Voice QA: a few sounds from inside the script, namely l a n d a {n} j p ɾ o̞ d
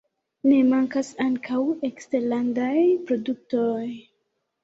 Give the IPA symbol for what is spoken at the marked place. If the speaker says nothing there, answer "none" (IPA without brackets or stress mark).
none